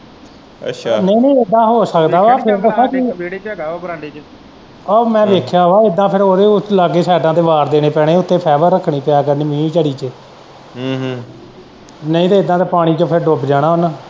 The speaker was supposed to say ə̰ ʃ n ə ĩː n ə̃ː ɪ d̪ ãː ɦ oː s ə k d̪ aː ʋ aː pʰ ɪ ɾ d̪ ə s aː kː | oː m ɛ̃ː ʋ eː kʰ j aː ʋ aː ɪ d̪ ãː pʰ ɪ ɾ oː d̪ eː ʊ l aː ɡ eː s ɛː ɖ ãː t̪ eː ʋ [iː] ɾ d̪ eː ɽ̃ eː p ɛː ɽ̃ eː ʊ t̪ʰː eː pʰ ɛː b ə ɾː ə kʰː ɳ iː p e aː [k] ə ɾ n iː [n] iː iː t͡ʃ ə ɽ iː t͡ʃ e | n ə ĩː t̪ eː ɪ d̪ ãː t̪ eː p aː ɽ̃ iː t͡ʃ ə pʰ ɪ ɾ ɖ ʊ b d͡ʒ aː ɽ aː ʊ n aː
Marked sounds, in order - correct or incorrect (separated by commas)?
incorrect, correct, incorrect